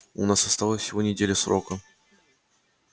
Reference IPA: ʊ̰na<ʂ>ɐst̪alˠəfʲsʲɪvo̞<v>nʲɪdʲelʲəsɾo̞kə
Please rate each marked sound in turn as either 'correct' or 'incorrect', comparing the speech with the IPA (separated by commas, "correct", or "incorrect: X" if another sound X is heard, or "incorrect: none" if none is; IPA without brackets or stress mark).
incorrect: s, incorrect: none